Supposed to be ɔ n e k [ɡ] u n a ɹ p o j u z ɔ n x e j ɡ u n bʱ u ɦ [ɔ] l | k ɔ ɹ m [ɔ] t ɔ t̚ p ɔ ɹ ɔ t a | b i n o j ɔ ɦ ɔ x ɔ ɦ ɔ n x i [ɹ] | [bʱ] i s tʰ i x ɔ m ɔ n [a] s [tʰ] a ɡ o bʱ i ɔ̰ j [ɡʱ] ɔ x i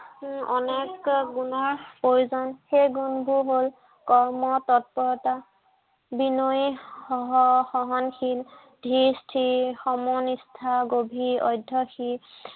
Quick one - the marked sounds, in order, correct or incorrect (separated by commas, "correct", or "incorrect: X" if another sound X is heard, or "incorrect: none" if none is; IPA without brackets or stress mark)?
correct, incorrect: o, correct, incorrect: l, incorrect: dʱ, incorrect: i, correct, incorrect: dʱ